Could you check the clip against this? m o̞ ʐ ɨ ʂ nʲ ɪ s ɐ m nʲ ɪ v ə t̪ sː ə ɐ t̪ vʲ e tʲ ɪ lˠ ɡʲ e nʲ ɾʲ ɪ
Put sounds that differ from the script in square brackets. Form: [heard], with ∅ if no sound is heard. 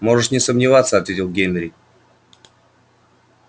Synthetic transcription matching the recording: m o̞ ʐ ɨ ʂ nʲ ɪ s [ə] m nʲ ɪ v [a] t̪ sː ə ɐ t̪ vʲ e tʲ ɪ lˠ ɡʲ e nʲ ɾʲ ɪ